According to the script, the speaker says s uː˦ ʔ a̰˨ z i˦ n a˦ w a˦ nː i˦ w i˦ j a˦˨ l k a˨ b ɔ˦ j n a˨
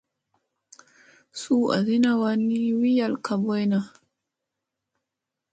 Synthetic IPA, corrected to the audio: s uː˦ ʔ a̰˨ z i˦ n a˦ w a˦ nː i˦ w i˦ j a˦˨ l k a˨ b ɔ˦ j n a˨